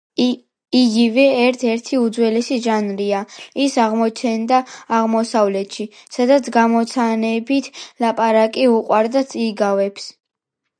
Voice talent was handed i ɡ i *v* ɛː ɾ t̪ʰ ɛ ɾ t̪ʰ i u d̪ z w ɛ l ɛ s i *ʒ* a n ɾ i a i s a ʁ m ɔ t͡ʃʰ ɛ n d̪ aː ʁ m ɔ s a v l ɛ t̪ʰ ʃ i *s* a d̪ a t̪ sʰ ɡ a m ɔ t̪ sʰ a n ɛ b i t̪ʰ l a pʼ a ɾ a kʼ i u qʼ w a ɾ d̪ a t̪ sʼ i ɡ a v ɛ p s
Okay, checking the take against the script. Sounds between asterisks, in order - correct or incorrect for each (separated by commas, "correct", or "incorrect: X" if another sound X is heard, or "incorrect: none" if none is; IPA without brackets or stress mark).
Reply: correct, correct, correct